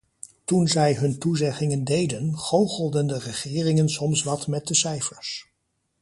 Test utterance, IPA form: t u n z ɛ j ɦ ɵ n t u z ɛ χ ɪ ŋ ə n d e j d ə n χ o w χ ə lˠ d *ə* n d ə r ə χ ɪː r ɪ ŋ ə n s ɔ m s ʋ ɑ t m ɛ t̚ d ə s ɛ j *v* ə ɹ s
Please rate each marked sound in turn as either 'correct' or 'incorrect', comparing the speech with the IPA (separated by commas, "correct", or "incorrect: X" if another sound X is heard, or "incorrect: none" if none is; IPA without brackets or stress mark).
correct, incorrect: f